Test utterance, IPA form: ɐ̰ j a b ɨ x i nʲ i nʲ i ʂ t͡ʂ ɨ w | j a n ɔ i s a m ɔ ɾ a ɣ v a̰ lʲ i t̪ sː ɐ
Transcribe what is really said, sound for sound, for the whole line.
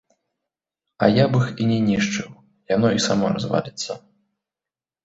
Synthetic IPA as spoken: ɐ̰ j a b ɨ x i nʲ ɛ nʲ i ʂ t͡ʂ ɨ w | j a n ɔ i s a m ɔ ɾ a z v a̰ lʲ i t̪ sː ɐ